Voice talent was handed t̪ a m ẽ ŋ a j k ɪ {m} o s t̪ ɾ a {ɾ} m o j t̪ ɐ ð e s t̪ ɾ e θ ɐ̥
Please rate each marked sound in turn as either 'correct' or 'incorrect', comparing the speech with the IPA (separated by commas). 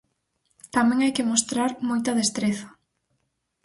correct, correct